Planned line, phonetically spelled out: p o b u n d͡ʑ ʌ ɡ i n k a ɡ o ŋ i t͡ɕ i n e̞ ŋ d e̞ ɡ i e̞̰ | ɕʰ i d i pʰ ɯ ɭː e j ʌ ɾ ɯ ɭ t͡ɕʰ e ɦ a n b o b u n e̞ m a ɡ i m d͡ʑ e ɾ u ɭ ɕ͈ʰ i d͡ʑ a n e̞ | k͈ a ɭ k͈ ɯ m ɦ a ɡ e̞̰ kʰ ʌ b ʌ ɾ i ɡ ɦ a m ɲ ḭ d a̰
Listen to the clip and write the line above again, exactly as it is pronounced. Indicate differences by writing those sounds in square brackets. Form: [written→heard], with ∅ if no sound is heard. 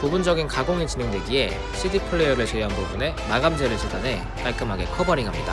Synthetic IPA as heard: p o b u n d͡ʑ ʌ ɡ i n k a ɡ o ŋ i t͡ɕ i n e̞ ŋ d e̞ ɡ i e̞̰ | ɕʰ i d i pʰ ɯ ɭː e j ʌ ɾ ɯ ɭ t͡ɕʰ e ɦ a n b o b u n e̞ m a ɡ [i→a] m d͡ʑ e ɾ [u→ɯ] ɭ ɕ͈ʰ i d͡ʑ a n e̞ | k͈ a ɭ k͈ ɯ m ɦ a ɡ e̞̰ kʰ ʌ b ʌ ɾ i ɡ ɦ a m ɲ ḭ d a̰